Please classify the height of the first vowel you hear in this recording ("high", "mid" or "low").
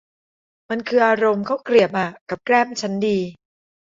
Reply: low